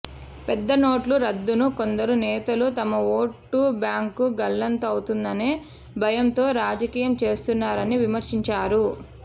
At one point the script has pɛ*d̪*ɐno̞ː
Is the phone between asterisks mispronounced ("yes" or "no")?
yes